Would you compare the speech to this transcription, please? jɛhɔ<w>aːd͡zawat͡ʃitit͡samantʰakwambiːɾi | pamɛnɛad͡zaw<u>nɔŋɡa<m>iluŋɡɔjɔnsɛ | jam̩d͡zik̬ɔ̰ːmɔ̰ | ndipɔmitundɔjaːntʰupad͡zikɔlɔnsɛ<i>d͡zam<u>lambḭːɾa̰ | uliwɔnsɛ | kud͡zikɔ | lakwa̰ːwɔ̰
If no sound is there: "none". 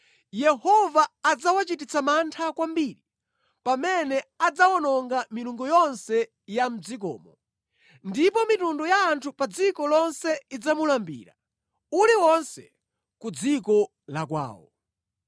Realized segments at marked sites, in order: v, ɔ, m, i, u

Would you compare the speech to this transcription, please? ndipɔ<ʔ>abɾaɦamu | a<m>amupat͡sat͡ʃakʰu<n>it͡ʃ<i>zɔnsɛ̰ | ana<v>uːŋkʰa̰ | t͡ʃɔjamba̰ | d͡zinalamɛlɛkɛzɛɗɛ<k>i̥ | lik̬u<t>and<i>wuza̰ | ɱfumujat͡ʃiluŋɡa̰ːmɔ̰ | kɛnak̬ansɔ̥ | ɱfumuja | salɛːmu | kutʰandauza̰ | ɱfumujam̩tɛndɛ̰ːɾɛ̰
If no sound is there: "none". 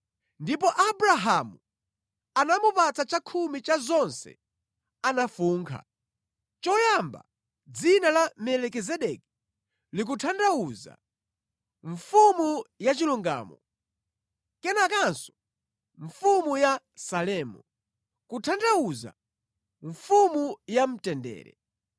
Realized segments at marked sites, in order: ʔ, n, m, a, f, k, tʰ, a

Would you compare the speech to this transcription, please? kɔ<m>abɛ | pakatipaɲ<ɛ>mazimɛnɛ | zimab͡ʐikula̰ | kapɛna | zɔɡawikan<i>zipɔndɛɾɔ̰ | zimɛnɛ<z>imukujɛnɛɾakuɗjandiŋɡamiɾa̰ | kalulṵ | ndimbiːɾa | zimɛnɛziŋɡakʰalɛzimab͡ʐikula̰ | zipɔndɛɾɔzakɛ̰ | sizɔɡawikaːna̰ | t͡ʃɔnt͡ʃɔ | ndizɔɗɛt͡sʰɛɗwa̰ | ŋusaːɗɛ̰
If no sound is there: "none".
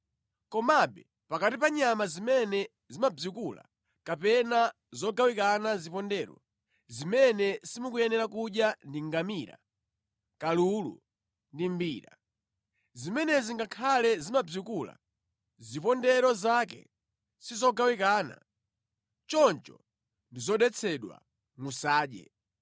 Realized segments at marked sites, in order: m, a, a, s

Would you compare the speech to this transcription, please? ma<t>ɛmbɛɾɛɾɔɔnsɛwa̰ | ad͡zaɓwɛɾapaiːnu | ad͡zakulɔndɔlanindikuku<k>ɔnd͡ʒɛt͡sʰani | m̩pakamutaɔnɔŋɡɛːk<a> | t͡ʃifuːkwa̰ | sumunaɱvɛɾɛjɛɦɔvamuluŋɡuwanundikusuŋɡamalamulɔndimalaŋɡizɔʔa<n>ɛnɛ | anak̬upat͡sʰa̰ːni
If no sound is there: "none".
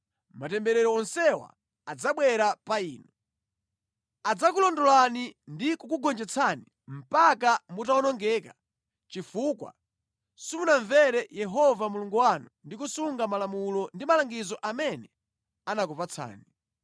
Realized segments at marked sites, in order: t, ɡ, a, m

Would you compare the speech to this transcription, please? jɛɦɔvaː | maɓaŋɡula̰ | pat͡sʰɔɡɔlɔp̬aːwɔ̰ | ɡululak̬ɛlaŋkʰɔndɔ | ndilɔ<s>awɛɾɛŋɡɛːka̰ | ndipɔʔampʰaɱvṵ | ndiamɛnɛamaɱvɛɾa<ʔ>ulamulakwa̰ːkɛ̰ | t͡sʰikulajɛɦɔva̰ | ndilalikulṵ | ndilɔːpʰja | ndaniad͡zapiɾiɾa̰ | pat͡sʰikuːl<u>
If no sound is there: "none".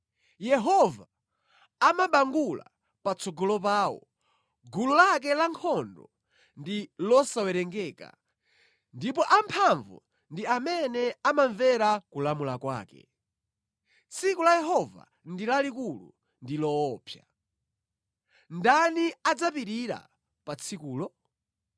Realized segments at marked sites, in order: s, k, ɔ

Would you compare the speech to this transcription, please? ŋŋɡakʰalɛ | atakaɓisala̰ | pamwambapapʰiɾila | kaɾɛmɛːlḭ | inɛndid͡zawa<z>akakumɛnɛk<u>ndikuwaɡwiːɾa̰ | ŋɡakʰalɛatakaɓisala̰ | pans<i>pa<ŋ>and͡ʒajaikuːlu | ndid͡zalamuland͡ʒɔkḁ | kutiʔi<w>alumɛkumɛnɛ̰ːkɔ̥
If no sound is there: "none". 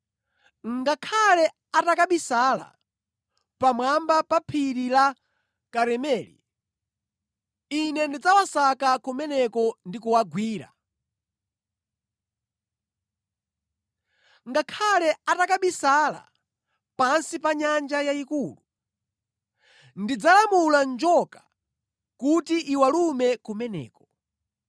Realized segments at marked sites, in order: s, ɔ, i, ɲ, w

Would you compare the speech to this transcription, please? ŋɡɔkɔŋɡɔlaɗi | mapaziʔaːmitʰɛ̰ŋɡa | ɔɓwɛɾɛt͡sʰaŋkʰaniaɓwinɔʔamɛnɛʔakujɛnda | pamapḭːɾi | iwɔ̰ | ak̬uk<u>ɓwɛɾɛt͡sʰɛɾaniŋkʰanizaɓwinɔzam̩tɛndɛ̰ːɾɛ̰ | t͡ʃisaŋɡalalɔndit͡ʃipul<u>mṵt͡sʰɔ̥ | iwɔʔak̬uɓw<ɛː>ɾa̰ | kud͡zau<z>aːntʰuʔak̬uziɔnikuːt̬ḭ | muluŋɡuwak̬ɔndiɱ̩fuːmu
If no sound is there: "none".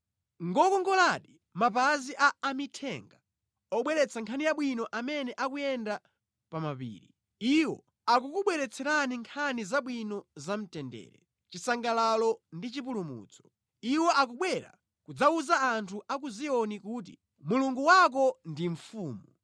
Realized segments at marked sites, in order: u, u, ɛ, z

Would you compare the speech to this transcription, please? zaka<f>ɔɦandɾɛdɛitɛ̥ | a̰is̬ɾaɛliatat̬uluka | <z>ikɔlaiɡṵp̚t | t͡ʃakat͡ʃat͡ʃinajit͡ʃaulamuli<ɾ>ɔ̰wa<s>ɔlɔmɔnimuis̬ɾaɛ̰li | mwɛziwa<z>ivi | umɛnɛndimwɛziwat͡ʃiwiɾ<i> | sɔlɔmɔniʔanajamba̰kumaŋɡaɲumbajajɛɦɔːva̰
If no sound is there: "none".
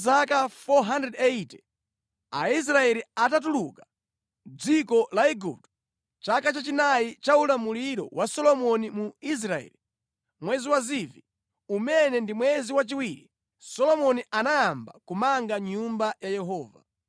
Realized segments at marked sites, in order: f, d͡z, ɾ, s, z, i

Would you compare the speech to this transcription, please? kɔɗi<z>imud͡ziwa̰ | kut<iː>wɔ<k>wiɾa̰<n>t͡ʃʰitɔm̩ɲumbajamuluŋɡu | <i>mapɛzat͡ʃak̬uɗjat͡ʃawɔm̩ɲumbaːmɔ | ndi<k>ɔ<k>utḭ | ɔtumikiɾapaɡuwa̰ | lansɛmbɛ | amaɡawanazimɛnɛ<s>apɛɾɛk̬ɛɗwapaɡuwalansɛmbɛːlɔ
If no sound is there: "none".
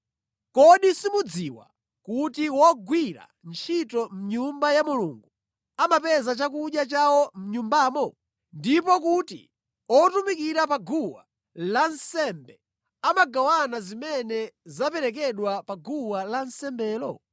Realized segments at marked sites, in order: s, i, ɡ, n, a, p, k, z

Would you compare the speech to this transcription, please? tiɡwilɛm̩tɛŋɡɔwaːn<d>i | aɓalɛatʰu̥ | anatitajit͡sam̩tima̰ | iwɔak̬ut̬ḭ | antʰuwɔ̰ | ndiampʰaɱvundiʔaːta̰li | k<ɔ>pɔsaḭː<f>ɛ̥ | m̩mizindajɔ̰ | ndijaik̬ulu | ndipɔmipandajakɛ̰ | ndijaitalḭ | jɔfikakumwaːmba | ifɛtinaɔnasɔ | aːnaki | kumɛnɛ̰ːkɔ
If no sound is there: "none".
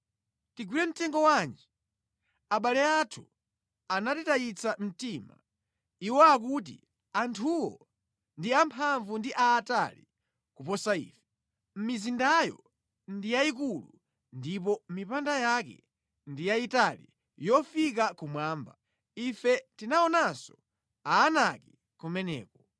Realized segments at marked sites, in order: d͡ʒ, u, f

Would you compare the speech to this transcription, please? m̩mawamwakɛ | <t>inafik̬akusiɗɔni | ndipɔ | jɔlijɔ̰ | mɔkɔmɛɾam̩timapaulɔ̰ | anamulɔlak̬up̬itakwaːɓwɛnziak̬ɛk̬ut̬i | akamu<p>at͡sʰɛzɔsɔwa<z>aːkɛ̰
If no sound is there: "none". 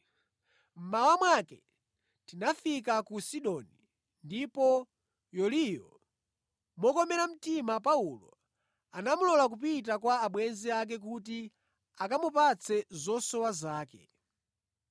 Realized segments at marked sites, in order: t, p, z

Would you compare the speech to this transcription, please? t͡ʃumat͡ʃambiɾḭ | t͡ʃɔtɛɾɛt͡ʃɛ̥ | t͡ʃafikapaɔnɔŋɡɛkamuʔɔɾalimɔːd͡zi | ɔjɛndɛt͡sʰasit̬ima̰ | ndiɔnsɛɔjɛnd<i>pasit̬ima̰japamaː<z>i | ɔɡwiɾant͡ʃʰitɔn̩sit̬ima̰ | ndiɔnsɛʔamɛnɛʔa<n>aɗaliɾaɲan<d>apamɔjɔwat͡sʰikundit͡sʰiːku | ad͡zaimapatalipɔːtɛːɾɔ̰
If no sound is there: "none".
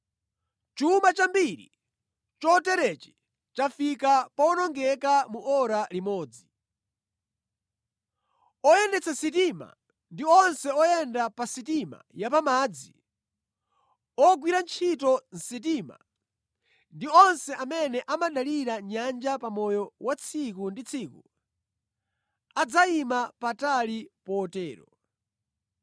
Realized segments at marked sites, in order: a, d͡z, m, d͡ʒ

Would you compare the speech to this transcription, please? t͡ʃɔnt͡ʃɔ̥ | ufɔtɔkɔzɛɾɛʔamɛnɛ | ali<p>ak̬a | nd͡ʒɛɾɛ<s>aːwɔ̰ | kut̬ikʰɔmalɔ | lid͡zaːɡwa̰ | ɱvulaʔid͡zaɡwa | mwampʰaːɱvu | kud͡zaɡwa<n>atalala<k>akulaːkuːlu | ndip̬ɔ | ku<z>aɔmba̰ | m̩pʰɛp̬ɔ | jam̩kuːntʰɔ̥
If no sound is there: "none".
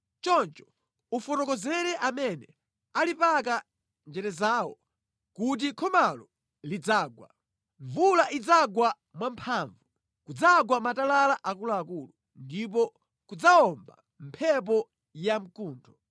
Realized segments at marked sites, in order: p, z, m, ʔ, d͡z

